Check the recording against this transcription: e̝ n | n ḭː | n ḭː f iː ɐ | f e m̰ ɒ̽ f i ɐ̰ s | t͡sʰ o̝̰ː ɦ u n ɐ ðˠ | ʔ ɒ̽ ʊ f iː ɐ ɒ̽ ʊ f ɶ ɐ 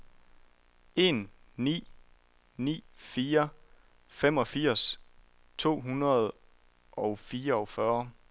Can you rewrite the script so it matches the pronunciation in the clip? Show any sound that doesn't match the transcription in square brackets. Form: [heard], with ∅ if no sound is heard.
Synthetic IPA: e̝ n | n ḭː | n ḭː f iː ɐ | f e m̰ ɒ̽ f i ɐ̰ s | t͡sʰ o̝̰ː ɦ u n ɐ ðˠ | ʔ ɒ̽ ʊ f iː ɐ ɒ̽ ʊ f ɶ ɐ

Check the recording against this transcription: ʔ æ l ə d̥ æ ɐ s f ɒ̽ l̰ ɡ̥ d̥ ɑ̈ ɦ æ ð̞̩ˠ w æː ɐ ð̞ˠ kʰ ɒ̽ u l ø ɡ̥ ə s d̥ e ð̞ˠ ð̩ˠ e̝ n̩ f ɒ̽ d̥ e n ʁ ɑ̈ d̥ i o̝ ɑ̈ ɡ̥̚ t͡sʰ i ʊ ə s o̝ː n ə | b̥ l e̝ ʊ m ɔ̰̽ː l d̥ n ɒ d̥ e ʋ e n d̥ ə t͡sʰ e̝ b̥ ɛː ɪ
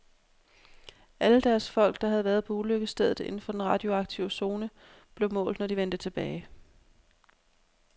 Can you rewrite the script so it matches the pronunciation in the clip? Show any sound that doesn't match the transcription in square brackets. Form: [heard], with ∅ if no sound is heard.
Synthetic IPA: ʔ æ l ə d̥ æ ɐ s f ɒ̽ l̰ ɡ̥ d̥ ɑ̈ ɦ æ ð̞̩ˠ [ʋ] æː ɐ ð̞ˠ [pʰ] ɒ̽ u l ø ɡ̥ ə s d̥ e ð̞ˠ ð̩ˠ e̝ n̩ f ɒ̽ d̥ e n ʁ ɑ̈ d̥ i o̝ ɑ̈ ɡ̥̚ t͡sʰ i ʊ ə s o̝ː n ə | b̥ l e̝ ʊ m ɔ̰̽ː l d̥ n ɒ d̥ [i] ʋ e n d̥ ə t͡sʰ e̝ b̥ ɛː ɪ

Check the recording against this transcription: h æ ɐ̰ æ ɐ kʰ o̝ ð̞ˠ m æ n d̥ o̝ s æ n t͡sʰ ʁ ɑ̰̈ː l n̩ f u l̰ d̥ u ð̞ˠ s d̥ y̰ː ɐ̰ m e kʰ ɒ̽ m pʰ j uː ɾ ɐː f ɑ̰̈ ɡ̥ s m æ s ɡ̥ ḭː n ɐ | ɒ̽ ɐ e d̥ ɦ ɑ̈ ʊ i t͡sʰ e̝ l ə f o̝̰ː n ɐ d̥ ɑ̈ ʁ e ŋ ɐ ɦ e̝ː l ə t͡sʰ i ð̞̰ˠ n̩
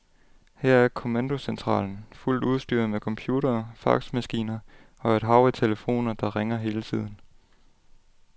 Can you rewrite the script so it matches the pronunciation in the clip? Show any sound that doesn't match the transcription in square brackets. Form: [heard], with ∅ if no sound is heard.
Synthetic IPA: h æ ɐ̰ æ ɐ kʰ o̝ [∅] m æ n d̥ o̝ s [e] n t͡sʰ ʁ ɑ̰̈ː l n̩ f u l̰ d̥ u ð̞ˠ s d̥ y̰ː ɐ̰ m e kʰ ɒ̽ m pʰ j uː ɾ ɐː f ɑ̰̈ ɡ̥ s m æ s ɡ̥ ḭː n ɐ | ɒ̽ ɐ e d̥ ɦ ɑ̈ ʊ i t͡sʰ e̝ l ə f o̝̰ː n ɐ d̥ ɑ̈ ʁ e ŋ ɐ ɦ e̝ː l ə t͡sʰ i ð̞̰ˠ n̩

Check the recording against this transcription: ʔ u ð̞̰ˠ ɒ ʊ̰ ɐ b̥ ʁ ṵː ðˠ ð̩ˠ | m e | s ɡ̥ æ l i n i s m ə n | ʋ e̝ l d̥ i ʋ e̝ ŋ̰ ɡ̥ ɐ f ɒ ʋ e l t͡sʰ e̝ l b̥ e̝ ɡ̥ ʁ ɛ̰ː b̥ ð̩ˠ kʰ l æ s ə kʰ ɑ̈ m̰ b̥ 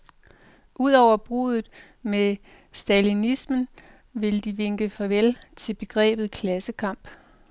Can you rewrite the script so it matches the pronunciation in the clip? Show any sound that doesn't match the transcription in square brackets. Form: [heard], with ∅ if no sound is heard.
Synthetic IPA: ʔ u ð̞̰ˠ ɒ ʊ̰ ɐ b̥ ʁ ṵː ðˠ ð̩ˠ | m e | s [d̥] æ l i n i s m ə n | ʋ e̝ l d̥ i ʋ e̝ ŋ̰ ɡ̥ [ə] f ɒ ʋ e l t͡sʰ e̝ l b̥ e̝ ɡ̥ ʁ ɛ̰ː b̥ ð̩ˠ kʰ l æ s ə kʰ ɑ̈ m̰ b̥

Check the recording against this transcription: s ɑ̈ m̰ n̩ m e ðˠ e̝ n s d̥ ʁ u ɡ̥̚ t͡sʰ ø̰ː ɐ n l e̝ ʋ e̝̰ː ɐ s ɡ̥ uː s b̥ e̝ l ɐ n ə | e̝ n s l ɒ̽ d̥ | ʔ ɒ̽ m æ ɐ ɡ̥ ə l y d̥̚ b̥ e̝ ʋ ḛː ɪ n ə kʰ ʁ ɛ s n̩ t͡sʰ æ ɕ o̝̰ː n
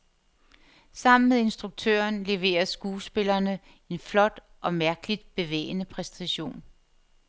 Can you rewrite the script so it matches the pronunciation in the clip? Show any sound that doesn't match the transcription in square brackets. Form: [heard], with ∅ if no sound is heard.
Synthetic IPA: s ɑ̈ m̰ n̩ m e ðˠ e̝ n s d̥ ʁ u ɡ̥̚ t͡sʰ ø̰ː ɐ n l e̝ ʋ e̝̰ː ɐ s ɡ̥ uː s b̥ e̝ l ɐ n ə | e̝ n [f] l ɒ̽ d̥ | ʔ ɒ̽ m æ ɐ ɡ̥ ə l [i] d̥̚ b̥ e̝ ʋ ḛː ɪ n ə [pʰ] ʁ ɛ s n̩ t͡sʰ æ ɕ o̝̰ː n

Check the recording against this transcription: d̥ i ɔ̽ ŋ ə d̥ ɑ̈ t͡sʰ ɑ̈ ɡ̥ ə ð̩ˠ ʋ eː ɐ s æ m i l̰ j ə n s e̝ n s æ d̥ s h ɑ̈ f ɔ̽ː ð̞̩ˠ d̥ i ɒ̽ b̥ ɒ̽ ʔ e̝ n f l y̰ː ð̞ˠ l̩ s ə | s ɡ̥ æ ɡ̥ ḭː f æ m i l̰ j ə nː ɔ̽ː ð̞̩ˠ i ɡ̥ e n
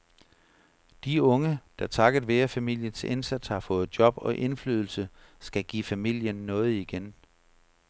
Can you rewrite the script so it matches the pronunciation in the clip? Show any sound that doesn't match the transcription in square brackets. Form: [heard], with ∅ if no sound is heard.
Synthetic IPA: d̥ i ɔ̽ ŋ ə d̥ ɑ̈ t͡sʰ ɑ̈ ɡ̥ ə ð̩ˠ ʋ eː ɐ [f] æ m i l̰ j ə n s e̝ n s æ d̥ s h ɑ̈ f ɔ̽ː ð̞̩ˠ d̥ [j] ɒ̽ b̥ ɒ̽ ʔ e̝ n f l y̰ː ð̞ˠ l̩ s ə | s ɡ̥ æ ɡ̥ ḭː f æ m i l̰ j ə nː ɔ̽ː ð̞̩ˠ i ɡ̥ e n

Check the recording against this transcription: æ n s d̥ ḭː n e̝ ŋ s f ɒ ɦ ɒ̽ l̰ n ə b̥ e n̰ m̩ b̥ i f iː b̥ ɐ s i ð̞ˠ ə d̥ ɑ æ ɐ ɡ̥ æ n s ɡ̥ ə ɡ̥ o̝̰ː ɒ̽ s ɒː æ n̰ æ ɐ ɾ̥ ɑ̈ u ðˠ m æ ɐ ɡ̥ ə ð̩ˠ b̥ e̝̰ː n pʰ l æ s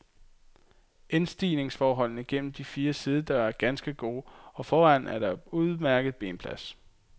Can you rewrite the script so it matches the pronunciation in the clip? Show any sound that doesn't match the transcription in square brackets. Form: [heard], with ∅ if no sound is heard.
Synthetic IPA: [e] n s d̥ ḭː n e̝ ŋ s f [ɒː] ɦ ɒ̽ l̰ n ə [ɡ̥] e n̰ m̩ [d̥] i f iː [∅] ɐ s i ð̞ˠ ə d̥ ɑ æ ɐ ɡ̥ æ n s ɡ̥ ə ɡ̥ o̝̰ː ɒ̽ [f] ɒː æ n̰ æ ɐ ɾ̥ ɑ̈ u ðˠ m æ ɐ ɡ̥ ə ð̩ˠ b̥ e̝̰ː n pʰ l æ s

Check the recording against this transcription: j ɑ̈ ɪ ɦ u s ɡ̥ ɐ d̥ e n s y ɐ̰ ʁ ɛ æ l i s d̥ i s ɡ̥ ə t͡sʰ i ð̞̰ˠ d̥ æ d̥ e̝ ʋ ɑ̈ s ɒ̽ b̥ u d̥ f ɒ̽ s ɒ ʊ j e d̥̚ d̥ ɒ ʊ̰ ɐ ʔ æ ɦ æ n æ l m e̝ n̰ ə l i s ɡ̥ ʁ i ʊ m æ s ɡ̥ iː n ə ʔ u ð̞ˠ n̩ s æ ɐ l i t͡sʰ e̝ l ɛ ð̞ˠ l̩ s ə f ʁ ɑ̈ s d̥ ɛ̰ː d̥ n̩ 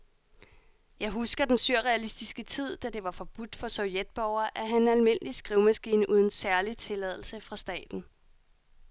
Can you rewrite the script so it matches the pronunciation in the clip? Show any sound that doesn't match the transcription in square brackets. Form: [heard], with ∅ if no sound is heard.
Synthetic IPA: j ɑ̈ ɪ ɦ u s ɡ̥ ɐ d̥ e n s y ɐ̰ ʁ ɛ æ l i s d̥ i s ɡ̥ ə t͡sʰ i ð̞̰ˠ d̥ æ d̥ e̝ ʋ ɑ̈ [f] ɒ̽ b̥ u d̥ f ɒ̽ s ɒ ʊ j e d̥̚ [b̥] ɒ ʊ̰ ɐ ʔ æ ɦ æ n æ l m e̝ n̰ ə l i s ɡ̥ ʁ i ʊ m æ s ɡ̥ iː n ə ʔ u ð̞ˠ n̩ s æ ɐ l i t͡sʰ e̝ l ɛ ð̞ˠ l̩ s ə f ʁ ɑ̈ s d̥ ɛ̰ː d̥ n̩

